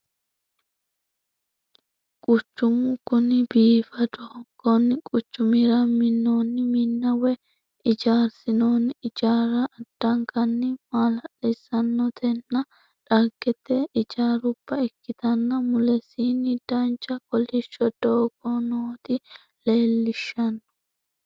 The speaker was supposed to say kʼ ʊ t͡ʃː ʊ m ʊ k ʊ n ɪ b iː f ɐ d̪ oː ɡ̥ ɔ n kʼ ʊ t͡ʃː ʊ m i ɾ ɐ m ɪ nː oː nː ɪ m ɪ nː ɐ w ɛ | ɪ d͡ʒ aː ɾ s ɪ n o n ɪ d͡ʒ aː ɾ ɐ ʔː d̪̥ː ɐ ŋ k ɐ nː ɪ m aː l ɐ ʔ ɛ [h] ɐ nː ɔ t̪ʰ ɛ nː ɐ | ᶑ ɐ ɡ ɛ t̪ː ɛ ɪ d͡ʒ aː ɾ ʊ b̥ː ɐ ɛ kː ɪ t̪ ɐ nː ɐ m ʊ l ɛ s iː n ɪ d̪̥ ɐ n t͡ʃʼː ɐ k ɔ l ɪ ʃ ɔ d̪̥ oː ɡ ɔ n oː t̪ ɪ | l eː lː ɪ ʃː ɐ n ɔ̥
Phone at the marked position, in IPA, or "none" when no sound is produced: s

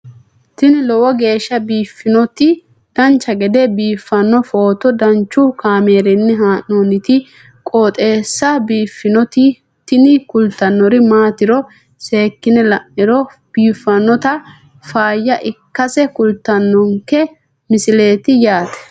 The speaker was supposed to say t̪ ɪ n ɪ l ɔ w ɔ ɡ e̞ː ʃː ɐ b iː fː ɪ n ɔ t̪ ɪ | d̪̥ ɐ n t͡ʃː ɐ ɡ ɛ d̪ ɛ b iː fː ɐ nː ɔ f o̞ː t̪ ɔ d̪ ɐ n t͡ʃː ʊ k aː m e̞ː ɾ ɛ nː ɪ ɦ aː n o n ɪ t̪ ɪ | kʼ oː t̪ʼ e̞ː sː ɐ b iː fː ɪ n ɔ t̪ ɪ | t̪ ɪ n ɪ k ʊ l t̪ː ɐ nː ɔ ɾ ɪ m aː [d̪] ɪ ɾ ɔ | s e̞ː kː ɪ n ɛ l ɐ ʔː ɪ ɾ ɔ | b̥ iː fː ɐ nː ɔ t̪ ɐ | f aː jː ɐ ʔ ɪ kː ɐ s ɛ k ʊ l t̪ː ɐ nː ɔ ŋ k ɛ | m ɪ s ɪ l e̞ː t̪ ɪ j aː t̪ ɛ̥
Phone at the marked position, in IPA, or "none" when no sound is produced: t̪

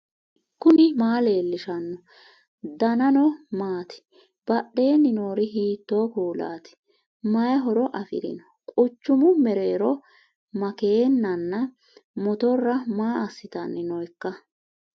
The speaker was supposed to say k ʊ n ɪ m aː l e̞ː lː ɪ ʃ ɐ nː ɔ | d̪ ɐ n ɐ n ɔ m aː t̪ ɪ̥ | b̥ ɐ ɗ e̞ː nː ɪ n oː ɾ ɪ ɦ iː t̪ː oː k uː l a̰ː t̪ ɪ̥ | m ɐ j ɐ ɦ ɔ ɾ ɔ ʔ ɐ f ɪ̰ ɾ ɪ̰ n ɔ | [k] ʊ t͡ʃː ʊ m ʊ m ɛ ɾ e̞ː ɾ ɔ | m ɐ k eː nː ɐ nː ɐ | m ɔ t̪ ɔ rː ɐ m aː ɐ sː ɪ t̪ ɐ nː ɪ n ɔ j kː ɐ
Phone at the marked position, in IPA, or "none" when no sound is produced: kʼ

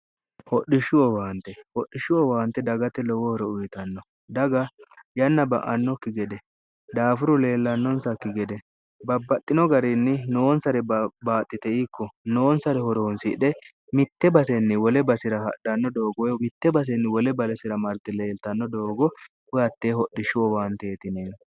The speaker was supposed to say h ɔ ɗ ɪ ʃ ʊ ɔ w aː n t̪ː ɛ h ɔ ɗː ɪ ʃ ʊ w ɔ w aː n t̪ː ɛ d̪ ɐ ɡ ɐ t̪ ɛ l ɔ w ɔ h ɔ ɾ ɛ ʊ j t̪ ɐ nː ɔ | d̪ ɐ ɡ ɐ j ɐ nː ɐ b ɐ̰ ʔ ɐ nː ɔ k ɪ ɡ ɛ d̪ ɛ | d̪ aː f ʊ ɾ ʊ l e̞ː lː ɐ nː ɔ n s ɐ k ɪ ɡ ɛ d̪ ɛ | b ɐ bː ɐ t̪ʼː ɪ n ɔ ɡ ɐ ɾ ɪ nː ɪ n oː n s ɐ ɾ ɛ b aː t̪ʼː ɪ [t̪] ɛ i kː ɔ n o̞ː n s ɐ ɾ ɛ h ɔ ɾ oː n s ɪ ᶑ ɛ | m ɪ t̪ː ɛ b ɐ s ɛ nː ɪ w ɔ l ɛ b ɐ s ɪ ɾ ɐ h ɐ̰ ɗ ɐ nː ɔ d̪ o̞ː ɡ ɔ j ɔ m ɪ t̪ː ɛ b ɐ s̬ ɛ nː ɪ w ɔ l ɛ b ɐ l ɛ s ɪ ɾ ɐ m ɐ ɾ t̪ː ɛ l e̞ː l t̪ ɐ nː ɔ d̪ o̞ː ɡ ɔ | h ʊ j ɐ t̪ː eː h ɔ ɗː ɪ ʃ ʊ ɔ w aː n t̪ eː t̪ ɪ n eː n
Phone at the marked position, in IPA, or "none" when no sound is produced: t̪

